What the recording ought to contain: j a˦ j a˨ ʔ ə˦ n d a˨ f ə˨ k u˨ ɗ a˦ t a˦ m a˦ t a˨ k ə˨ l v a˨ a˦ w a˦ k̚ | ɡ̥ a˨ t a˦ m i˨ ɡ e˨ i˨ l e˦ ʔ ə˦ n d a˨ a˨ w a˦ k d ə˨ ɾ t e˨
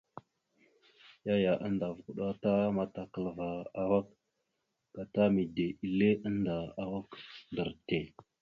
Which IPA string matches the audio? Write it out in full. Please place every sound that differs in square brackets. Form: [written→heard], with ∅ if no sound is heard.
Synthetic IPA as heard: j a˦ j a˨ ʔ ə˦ n d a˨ [f→v] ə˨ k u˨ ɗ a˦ t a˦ m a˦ t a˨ k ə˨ l v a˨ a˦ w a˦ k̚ | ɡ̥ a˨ t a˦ m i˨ [ɡ→d] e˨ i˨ l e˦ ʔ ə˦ n d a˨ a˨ w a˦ k d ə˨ ɾ t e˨